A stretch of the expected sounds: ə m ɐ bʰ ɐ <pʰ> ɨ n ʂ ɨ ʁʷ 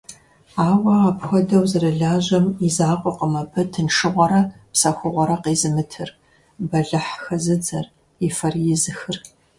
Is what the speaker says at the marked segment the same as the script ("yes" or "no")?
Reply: no